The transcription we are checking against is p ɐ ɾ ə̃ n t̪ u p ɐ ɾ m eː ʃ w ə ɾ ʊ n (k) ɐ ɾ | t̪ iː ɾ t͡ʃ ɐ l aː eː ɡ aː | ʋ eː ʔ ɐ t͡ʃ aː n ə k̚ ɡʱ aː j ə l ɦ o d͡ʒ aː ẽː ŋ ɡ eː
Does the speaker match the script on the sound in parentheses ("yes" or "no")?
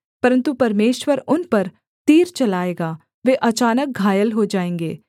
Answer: no